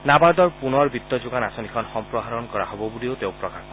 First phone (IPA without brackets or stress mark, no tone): n